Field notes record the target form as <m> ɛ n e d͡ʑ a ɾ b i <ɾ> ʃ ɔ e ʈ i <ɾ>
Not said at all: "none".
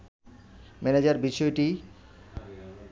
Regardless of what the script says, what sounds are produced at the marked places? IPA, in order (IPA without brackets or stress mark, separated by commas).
m, none, none